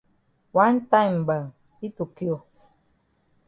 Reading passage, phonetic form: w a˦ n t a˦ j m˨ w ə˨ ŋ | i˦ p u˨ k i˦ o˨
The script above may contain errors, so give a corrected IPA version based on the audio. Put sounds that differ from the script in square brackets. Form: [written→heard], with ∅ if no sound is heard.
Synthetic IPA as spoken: w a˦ n t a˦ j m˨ [w→b] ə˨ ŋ | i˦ [p→t] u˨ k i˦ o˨